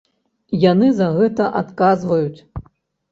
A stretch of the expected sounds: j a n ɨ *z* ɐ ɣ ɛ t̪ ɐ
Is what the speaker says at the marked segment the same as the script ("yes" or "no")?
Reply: yes